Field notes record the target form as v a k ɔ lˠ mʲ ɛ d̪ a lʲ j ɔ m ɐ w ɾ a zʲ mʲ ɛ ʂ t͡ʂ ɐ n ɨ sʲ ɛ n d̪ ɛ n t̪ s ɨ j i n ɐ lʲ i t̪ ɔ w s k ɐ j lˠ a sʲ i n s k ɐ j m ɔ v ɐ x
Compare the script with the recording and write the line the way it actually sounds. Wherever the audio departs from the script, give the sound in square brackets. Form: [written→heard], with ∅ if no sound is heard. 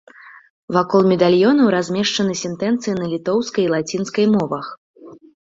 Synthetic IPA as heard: v a k ɔ lˠ mʲ ɛ d̪ a lʲ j ɔ [m→n] ɐ w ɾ a zʲ mʲ ɛ ʂ t͡ʂ ɐ n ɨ sʲ ɛ n [d̪→t̪] ɛ n t̪ s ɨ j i n ɐ lʲ i t̪ ɔ w s k ɐ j lˠ a [sʲ→t͡sʲ] i n s k ɐ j m ɔ v ɐ x